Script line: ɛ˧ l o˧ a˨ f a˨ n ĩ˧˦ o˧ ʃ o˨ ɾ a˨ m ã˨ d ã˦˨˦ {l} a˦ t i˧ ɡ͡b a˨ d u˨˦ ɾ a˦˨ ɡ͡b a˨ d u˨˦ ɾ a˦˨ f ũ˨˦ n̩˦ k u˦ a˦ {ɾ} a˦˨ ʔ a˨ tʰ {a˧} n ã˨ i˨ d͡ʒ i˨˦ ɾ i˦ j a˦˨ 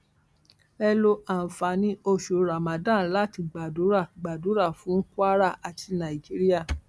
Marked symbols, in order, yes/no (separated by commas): yes, yes, no